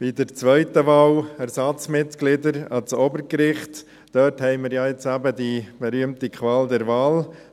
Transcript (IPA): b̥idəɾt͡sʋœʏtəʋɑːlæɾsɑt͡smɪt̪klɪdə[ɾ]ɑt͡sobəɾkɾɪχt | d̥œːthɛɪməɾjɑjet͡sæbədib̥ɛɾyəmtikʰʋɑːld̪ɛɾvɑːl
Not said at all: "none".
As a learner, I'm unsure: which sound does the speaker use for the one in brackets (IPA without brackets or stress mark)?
ɾ